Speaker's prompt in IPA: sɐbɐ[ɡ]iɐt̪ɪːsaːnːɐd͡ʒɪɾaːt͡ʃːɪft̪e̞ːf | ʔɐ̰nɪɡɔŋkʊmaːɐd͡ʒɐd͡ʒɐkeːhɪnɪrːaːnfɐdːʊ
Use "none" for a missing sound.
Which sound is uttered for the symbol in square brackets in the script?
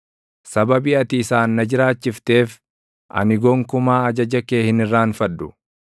b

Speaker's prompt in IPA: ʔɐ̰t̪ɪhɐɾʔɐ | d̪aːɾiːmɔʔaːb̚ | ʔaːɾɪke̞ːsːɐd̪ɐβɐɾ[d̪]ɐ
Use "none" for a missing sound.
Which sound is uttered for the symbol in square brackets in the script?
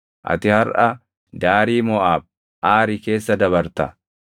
t̪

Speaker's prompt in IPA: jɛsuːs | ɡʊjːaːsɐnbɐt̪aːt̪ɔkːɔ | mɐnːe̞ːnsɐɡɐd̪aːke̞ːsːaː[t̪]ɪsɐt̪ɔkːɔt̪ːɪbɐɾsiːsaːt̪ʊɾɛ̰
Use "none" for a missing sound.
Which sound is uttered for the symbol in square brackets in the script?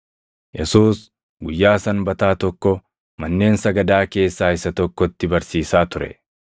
none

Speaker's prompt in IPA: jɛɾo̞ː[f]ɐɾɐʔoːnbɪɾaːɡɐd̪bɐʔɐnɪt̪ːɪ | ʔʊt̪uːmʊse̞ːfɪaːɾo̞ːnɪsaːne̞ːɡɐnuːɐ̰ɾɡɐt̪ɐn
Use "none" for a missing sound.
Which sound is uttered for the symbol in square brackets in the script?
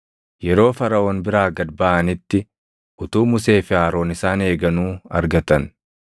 f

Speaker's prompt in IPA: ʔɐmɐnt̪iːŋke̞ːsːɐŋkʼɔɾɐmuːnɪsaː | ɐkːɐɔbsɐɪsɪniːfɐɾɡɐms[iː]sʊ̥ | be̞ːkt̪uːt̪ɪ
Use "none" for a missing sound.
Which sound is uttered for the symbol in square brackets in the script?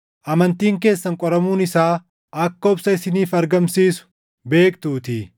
iː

